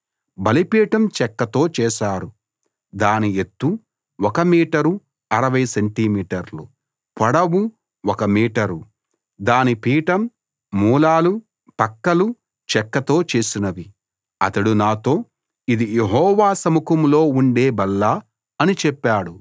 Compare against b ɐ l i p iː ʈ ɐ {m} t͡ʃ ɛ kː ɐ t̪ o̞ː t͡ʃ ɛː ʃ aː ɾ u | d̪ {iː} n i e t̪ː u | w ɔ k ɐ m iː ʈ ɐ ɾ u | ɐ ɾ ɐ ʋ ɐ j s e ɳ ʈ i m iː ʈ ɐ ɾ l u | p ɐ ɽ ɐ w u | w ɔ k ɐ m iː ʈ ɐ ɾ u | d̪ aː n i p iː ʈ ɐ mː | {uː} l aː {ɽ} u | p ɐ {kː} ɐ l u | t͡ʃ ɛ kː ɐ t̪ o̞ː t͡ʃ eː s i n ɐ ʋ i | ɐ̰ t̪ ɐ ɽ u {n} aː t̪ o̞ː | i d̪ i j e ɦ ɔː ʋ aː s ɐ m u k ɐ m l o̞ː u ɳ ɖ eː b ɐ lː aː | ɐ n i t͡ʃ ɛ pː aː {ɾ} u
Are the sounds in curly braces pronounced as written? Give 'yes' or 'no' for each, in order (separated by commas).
yes, no, yes, no, yes, yes, no